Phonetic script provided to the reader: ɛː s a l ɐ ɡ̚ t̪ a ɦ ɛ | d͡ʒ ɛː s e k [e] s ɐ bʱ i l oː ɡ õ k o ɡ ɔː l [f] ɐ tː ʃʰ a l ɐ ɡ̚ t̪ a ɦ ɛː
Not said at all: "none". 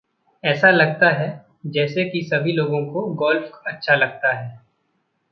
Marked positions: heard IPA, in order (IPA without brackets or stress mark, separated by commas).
i, f